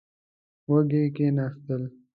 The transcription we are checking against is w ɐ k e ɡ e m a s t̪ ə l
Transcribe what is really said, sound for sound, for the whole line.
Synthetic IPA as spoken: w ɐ ɡ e k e n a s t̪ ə l